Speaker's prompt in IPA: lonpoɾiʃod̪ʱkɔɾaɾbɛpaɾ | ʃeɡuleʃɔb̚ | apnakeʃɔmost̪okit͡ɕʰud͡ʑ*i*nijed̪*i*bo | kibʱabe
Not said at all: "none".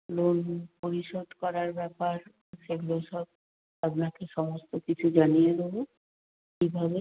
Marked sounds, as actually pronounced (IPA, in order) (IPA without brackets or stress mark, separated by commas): a, e